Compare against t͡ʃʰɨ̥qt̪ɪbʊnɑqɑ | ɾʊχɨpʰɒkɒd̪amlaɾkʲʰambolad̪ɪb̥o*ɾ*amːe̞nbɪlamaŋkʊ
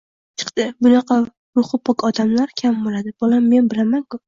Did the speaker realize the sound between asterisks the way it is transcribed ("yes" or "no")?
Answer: no